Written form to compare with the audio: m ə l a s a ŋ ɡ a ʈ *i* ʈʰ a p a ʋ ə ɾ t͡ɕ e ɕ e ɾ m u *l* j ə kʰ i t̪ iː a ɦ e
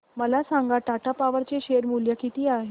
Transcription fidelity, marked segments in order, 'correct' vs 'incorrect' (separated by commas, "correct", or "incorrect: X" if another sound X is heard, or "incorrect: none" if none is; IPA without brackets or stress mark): incorrect: a, correct